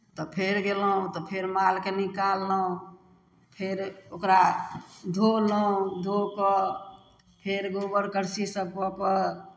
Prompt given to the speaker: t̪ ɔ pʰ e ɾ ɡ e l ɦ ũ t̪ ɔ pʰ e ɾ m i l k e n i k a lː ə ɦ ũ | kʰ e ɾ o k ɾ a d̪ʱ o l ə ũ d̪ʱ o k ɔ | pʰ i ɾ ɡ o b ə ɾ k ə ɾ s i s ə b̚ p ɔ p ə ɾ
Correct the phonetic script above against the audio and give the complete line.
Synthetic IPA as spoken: t̪ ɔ pʰ e ɾ ɡ e l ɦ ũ t̪ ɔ pʰ e ɾ m a l k e n i k a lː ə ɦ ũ | pʰ e ɾ o k ɾ a d̪ʱ o l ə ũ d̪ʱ o k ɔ | pʰ e ɾ ɡ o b ə ɾ k ə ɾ s i s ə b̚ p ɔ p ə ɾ